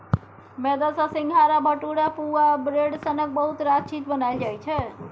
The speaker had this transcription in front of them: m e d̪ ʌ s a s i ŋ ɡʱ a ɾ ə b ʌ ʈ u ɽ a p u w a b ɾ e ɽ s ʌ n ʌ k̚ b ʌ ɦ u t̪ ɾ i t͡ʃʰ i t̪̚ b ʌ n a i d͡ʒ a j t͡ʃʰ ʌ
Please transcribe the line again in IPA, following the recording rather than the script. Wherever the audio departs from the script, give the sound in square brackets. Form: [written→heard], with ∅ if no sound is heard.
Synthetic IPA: m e d̪ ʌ s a s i ŋ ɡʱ a ɾ [ə→a] b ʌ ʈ u ɽ a p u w a b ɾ e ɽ s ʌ n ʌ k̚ b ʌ ɦ u t̪ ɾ [i→a] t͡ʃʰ i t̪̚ b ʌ n a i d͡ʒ a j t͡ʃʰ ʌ